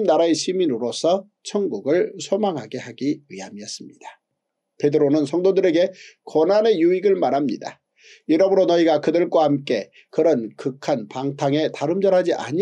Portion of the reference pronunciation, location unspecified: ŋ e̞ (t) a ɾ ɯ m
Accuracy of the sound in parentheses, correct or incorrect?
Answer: correct